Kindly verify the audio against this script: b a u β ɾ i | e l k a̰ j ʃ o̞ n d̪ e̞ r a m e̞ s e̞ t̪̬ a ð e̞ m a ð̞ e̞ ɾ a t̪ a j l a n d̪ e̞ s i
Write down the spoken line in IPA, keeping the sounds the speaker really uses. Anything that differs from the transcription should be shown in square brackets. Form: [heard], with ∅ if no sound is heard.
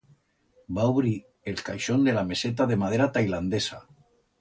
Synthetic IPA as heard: b a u β ɾ i | e l k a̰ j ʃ o̞ n d̪ e̞ [l] a m e̞ s e̞ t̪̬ a ð e̞ m a ð̞ e̞ ɾ a t̪ a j l a n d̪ e̞ s [a]

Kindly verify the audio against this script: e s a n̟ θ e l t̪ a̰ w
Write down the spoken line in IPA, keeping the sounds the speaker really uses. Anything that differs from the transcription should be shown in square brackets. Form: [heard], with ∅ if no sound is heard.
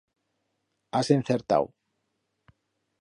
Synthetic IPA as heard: [a] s [e] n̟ θ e [ɾ] t̪ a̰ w

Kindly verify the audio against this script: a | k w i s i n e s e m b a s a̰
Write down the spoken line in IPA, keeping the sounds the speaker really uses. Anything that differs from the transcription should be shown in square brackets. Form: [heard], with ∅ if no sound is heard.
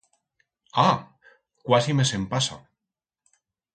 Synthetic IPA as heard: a | k w [a] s i [m] e s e m [p] a s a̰

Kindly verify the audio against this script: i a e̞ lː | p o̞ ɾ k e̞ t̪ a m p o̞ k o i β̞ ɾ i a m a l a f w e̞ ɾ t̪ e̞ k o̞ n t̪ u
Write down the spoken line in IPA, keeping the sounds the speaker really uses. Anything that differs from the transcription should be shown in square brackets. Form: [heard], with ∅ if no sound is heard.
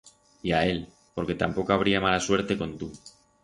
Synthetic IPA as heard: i a e̞ [l] | p o̞ ɾ k e̞ t̪ a m p o̞ k o [a] β̞ ɾ i a m a l a [s] w e̞ ɾ t̪ e̞ k o̞ n t̪ u

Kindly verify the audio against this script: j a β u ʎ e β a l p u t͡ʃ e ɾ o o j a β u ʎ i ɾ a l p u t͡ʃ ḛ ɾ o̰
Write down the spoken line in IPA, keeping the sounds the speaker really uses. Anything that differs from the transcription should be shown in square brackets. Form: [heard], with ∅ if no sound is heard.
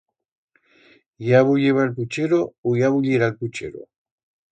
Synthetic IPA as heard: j a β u ʎ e β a l p u t͡ʃ e ɾ o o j a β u ʎ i ɾ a l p u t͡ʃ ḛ ɾ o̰

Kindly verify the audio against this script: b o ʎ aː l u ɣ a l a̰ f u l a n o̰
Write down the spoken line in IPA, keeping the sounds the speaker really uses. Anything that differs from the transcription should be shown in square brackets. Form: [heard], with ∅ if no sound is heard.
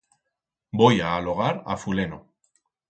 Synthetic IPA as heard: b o [j] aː l [o] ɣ a [ɾ] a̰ f u l [e] n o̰

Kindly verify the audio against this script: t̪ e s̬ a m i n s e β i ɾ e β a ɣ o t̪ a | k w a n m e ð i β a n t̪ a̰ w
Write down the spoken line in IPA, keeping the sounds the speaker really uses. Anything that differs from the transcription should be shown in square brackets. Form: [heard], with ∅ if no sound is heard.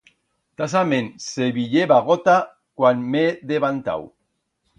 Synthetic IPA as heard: t̪ [a] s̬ a m [e] n s e β i [ʎ] e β a ɣ o t̪ a | k w a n m e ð [e] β a n t̪ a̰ w

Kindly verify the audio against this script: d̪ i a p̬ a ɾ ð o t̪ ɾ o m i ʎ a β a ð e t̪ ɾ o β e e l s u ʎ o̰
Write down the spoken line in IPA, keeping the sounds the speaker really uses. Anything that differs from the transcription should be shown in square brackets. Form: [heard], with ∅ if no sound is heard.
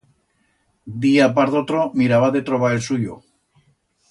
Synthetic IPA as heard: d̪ i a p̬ a ɾ ð o t̪ ɾ o m i [ɾ] a β a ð e t̪ ɾ o β [a] e l s u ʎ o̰

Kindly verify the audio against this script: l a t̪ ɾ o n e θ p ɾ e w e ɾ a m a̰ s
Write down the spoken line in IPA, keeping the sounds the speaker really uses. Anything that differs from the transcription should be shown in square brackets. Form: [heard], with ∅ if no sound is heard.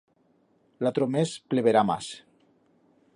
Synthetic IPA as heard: l a t̪ ɾ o [m] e [s] p [l] e [β] e ɾ a m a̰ s

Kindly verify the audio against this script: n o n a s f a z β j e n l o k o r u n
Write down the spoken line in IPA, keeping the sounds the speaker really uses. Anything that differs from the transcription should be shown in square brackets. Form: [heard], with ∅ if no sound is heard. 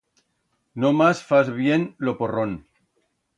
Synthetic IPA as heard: n o [m] a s f a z β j e n l o [p] o r [o] n

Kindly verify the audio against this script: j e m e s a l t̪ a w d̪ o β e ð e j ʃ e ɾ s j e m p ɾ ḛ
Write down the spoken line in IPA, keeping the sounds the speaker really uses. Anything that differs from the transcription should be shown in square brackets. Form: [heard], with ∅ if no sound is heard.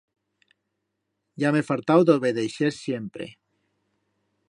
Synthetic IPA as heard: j [a] m e [f] a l t̪ a w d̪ o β e ð e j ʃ e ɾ s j e m p ɾ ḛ

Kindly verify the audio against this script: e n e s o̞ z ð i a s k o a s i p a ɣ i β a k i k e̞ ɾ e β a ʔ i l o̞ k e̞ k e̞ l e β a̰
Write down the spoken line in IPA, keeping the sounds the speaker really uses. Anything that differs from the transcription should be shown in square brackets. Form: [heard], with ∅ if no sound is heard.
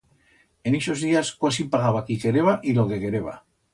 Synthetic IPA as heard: e n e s o̞ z ð i a s k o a s i p a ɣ [a] β a k i k e̞ ɾ e β a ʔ i l o̞ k e̞ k e̞ [ɾ] e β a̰

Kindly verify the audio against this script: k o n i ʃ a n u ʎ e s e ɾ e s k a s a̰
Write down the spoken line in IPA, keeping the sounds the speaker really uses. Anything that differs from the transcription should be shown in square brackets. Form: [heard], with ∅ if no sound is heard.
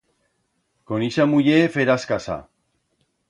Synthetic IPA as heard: k o n i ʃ a [m] u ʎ e [f] e ɾ [a] s k a s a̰

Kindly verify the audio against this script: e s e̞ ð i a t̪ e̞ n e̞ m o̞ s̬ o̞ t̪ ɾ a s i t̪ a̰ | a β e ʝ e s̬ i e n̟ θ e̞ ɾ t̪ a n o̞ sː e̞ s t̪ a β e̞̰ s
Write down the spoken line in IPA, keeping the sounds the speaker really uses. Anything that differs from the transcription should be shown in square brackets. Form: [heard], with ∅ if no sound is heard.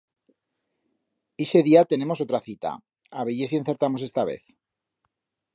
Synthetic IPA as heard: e s e̞ ð i a t̪ e̞ n e̞ m o̞ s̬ o̞ t̪ ɾ a [θ] i t̪ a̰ | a β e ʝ e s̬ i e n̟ θ e̞ ɾ t̪ a [m] o̞ [s] e̞ s t̪ a β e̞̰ [θ]

